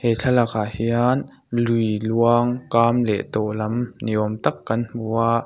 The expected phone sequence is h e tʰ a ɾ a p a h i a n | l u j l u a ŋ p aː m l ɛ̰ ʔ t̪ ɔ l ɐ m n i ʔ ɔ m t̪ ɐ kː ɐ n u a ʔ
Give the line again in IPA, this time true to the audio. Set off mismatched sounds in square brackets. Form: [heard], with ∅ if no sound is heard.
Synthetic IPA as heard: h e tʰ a [l] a [k] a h i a n | l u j l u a ŋ [k] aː m l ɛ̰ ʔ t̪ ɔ l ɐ m n i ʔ ɔ m t̪ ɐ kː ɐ n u a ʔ